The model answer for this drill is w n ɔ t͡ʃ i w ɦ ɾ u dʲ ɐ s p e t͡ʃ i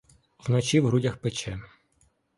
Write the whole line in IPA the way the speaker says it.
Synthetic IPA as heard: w n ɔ t͡ʃ i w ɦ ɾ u dʲ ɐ x p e t͡ʃ ɛ